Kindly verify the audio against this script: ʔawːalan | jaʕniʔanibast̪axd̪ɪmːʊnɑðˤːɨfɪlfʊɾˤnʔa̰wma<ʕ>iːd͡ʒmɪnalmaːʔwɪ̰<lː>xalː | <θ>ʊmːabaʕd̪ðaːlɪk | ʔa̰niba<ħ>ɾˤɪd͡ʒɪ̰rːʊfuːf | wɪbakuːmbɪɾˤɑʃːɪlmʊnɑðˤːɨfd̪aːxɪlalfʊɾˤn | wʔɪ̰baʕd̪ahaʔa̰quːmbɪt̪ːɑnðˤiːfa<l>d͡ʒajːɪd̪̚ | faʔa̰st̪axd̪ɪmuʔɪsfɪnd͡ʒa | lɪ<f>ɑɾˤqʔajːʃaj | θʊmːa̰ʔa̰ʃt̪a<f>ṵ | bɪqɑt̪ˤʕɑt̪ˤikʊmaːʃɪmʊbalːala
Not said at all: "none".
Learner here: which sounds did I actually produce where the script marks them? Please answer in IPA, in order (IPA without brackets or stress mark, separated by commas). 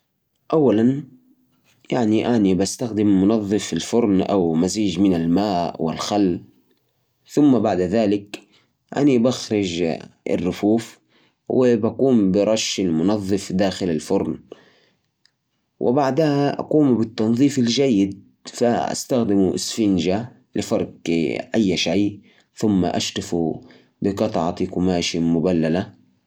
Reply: z, l, θ, x, l, f, f